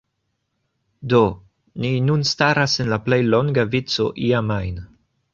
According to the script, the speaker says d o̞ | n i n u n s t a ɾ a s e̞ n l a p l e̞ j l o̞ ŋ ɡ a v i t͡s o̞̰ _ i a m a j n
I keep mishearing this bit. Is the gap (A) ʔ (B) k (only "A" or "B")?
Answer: A